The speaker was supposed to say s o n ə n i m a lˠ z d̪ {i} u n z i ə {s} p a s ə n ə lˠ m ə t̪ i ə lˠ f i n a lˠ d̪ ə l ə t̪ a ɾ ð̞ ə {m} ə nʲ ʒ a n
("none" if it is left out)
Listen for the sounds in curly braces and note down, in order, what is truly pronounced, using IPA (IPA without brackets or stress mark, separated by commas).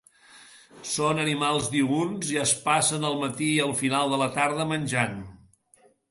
i, s, m